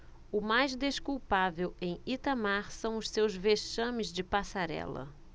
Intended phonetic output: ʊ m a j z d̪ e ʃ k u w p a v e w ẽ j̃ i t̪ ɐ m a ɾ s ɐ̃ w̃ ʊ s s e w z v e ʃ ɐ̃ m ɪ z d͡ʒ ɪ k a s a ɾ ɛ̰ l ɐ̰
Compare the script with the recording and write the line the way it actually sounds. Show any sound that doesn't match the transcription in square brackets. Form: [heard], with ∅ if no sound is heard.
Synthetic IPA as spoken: ʊ m a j z d̪ e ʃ k u w p a v e w ẽ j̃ i t̪ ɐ m a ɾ s ɐ̃ w̃ ʊ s s e w z v e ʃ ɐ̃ m ɪ z d͡ʒ ɪ [p] a s a ɾ ɛ̰ l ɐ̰

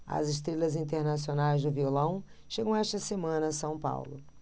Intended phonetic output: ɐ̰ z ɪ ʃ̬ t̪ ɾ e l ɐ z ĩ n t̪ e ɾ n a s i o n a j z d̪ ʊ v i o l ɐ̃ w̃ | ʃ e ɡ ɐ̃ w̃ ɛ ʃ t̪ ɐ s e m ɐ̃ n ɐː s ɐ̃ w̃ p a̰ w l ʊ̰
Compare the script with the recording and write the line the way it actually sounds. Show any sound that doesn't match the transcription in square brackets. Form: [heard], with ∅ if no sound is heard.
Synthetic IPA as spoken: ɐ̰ z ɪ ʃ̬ t̪ ɾ e l ɐ z ĩ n t̪ e ɾ n a s i o n a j z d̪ ʊ v i o l ɐ̃ w̃ | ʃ e ɡ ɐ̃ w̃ ɛ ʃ t̪ ɐ s e m ɐ̃ n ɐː s ɐ̃ w̃ p a̰ w l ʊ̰

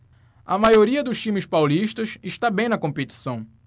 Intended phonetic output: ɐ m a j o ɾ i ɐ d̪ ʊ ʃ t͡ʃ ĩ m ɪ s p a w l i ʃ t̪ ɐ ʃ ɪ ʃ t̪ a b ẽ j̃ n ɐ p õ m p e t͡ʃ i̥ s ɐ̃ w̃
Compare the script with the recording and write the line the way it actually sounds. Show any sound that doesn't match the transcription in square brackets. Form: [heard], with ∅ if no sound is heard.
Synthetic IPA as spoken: ɐ m a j o ɾ i ɐ d̪ ʊ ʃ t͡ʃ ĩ m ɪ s p a w l i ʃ t̪ ɐ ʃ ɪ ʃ t̪ a b ẽ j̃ n ɐ [k] õ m p e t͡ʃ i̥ s ɐ̃ w̃

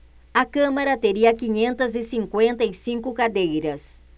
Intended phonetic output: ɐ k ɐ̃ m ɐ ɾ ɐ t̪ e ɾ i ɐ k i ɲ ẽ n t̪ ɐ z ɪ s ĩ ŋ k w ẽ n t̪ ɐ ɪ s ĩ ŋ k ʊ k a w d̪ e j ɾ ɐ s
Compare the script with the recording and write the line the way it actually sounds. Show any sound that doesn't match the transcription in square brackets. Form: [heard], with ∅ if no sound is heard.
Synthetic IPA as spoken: ɐ k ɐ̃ m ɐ ɾ ɐ t̪ e ɾ i ɐ k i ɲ ẽ n t̪ ɐ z ɪ s ĩ ŋ k w ẽ n t̪ ɐ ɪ s ĩ ŋ k ʊ k a [∅] d̪ e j ɾ ɐ s

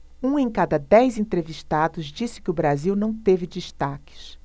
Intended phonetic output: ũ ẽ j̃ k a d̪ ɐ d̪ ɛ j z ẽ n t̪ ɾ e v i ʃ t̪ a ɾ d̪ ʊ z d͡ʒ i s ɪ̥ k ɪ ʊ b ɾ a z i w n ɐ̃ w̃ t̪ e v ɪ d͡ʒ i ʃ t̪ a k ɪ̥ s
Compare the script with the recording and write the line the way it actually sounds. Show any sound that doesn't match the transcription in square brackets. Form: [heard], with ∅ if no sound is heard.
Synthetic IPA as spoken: ũ ẽ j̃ k a d̪ ɐ d̪ ɛ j z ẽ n t̪ ɾ e v i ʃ t̪ a [∅] d̪ ʊ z d͡ʒ i s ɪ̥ k ɪ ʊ b ɾ a z i w n ɐ̃ w̃ t̪ e v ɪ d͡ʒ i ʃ t̪ a k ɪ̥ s

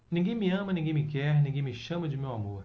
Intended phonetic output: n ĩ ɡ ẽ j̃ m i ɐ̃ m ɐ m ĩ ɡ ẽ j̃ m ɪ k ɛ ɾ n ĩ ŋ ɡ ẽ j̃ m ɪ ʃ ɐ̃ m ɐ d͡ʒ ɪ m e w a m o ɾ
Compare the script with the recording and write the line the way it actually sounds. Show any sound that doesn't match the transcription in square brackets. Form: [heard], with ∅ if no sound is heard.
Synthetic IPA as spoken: n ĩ ɡ ẽ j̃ m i ɐ̃ m ɐ [n] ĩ ɡ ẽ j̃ m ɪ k ɛ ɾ n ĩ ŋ ɡ ẽ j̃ m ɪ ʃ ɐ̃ m ɐ d͡ʒ ɪ m e w a m o ɾ

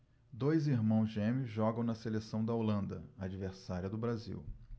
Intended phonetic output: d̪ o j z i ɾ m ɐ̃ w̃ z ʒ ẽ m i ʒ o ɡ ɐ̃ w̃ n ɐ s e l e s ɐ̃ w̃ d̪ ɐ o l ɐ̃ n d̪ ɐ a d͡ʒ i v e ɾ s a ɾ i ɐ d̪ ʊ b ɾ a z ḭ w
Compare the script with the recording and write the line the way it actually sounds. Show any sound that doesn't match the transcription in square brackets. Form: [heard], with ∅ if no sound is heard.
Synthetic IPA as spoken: d̪ o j z i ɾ m ɐ̃ w̃ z ʒ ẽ m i ʒ [ɔ] ɡ ɐ̃ w̃ n ɐ s e l e s ɐ̃ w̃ d̪ ɐ o l ɐ̃ n d̪ ɐ a d͡ʒ i v e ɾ s a ɾ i ɐ d̪ ʊ b ɾ a z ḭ w

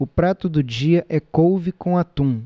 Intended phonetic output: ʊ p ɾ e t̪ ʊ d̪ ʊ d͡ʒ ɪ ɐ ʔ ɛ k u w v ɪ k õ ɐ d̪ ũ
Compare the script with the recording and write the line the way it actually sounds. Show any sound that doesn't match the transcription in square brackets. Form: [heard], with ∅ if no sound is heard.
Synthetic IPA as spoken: ʊ p ɾ [a] t̪ ʊ d̪ ʊ d͡ʒ [i] ɐ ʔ ɛ k [o] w v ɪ k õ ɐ [t̪] ũ

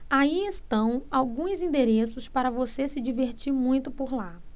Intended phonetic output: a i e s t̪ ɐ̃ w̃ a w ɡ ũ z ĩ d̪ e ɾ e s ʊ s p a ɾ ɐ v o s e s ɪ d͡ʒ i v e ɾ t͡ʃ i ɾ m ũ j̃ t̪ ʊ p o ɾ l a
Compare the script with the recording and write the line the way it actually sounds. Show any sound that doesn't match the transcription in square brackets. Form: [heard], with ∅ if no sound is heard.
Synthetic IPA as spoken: a i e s t̪ ɐ̃ w̃ a w ɡ ũ z ĩ d̪ e ɾ e s ʊ s p a ɾ ɐ v o s e s ɪ d͡ʒ i v e ɾ t͡ʃ i ɾ m ũ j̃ t̪ ʊ p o ɾ l a

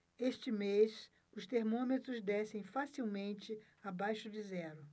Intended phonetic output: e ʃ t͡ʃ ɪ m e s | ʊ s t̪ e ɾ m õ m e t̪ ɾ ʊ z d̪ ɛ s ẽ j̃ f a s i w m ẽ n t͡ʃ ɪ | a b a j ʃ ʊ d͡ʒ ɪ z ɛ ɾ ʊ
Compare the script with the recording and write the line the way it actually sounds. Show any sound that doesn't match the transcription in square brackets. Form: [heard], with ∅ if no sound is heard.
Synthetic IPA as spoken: e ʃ t͡ʃ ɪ m e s | ʊ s t̪ e ɾ m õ m e t̪ ɾ ʊ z d̪ ɛ s ẽ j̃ f a s i w m ẽ n t͡ʃ ɪ | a b a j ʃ ʊ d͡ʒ ɪ z ɛ ɾ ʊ

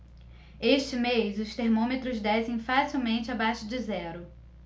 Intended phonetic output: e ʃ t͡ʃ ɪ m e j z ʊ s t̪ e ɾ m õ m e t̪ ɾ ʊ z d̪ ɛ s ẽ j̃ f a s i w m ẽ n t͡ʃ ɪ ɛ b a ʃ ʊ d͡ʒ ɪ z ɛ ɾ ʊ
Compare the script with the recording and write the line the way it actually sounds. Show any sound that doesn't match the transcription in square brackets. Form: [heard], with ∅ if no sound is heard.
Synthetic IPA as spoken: e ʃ t͡ʃ ɪ m e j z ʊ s t̪ e ɾ m õ m e t̪ ɾ ʊ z d̪ ɛ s ẽ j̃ f a s i w m ẽ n t͡ʃ ɪ [a] b a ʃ ʊ d͡ʒ ɪ z ɛ ɾ ʊ

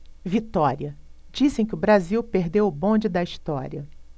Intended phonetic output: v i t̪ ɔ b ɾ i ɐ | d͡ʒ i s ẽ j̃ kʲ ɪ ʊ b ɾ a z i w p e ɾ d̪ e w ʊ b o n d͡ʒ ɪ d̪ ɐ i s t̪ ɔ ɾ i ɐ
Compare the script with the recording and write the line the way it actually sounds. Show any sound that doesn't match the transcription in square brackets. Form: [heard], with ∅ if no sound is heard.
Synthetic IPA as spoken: v i t̪ ɔ [∅] ɾ i ɐ | d͡ʒ i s ẽ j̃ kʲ ɪ ʊ b ɾ a z i w p e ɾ d̪ e w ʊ b [õ] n d͡ʒ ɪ d̪ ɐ i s t̪ ɔ ɾ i ɐ

